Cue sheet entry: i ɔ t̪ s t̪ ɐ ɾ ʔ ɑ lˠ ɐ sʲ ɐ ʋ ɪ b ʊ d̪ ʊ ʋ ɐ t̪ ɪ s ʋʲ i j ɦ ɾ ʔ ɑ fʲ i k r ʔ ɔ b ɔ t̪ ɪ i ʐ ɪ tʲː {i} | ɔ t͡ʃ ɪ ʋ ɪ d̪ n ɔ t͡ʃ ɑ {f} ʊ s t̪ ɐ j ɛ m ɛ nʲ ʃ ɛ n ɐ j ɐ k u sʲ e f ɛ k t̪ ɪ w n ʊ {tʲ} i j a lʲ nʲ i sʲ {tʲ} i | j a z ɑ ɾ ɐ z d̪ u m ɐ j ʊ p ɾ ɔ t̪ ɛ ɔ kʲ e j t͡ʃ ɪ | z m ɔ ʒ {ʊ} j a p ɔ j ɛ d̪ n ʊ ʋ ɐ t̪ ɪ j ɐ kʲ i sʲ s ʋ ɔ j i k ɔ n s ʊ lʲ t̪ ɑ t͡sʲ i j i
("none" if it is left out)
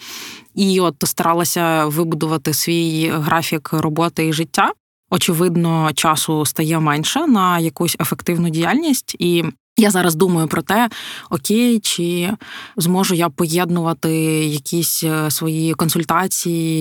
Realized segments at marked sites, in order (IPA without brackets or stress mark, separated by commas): a, s, dʲ, tʲ, ʊ